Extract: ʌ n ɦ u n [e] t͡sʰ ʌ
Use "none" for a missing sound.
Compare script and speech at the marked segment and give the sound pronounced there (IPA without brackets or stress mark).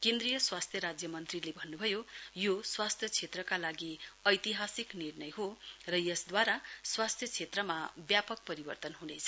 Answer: e